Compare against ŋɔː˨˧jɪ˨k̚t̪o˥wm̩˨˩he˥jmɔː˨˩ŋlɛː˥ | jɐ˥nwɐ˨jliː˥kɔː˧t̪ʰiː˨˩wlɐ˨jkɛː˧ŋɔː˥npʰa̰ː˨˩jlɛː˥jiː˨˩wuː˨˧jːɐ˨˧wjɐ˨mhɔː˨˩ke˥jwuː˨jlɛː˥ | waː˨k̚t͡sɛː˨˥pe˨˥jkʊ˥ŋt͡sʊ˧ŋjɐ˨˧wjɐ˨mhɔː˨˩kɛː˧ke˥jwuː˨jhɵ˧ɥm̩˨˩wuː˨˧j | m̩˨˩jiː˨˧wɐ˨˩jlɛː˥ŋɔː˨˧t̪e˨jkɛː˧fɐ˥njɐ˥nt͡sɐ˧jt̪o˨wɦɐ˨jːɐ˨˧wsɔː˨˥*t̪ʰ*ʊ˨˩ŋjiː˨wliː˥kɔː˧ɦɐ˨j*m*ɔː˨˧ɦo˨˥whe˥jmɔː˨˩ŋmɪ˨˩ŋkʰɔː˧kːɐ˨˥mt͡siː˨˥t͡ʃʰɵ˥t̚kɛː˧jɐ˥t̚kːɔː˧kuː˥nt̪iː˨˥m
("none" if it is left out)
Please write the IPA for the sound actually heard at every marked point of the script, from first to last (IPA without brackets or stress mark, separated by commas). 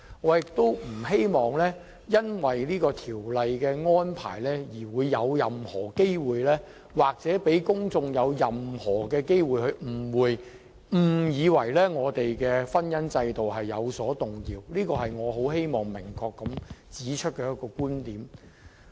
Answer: t̪, ŋ